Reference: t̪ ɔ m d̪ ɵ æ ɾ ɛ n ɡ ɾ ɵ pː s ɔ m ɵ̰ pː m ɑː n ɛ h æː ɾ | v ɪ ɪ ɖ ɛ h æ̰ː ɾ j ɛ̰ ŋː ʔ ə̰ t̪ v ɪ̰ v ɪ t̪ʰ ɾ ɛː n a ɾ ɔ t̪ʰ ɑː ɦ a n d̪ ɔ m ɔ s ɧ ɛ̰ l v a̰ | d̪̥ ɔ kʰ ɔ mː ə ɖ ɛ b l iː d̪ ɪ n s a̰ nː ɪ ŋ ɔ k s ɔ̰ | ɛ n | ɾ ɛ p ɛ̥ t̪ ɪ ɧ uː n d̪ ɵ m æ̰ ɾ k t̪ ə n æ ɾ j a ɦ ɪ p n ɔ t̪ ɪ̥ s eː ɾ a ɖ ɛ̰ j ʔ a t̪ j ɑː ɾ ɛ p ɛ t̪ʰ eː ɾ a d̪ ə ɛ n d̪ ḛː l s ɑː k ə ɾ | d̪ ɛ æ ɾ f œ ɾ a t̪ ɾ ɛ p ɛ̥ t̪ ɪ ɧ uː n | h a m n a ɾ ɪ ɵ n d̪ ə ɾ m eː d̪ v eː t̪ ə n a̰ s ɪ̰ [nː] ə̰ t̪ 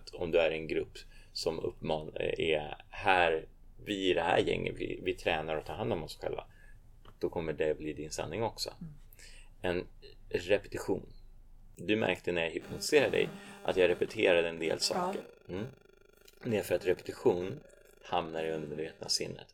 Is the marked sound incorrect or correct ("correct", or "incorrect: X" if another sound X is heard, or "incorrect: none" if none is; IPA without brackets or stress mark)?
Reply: correct